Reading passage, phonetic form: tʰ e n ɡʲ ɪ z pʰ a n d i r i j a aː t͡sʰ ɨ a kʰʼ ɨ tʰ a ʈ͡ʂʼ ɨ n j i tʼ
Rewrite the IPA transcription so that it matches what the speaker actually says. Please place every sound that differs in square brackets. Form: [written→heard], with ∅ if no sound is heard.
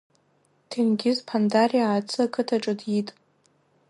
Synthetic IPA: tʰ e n ɡʲ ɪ z pʰ a n d [i→a] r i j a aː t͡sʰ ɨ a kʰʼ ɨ tʰ a ʈ͡ʂʼ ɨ [n→d] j i tʼ